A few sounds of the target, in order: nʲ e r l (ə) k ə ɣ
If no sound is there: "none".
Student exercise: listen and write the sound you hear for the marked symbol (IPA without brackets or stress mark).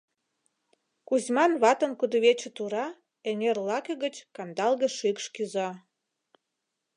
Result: ɑ